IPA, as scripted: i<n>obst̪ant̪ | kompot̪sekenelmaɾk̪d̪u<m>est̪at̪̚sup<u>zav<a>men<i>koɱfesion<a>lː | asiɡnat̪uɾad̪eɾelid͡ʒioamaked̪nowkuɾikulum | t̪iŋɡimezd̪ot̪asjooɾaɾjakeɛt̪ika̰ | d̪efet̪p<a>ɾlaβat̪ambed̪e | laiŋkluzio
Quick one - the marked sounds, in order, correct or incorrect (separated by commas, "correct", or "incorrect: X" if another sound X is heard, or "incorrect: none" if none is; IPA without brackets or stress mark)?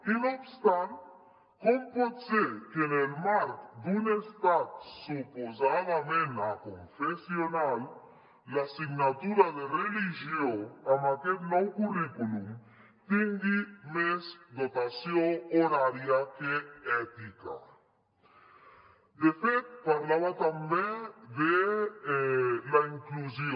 correct, incorrect: n, incorrect: o, correct, incorrect: a, correct, correct